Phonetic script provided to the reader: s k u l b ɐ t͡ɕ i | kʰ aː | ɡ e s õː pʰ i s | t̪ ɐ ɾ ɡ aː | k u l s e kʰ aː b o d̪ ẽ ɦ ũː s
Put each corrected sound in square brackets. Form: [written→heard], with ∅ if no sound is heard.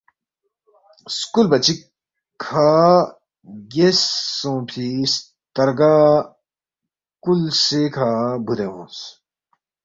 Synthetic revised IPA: s k u l b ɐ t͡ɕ i | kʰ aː | ɡ e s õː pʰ i s | t̪ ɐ ɾ ɡ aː | k u l s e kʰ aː b [o→u] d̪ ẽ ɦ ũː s